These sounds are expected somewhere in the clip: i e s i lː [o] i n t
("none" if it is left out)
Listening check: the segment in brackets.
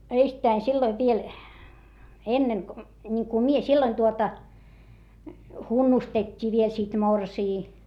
o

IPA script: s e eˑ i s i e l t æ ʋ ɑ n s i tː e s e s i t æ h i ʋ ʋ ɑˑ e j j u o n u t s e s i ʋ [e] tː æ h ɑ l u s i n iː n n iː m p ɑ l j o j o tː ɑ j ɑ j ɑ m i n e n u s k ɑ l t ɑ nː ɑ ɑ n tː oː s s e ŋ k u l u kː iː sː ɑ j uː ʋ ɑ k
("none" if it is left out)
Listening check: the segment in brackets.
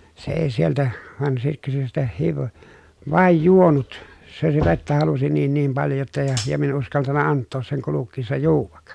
e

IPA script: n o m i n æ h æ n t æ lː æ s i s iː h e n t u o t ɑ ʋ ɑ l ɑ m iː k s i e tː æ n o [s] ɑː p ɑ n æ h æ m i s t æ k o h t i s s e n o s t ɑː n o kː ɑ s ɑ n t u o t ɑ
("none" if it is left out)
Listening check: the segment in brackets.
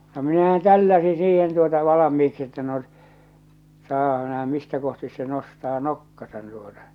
s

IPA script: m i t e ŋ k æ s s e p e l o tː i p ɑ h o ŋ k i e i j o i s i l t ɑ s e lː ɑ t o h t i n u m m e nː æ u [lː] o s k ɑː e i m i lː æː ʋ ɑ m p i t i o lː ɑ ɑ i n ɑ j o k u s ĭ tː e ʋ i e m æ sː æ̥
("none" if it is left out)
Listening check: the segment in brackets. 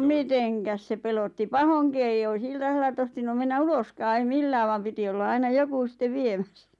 l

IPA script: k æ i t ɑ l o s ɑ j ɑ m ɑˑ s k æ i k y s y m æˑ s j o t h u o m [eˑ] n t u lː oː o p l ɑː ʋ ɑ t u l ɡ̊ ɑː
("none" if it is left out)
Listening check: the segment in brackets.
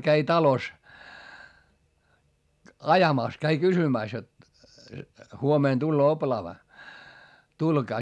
eˑ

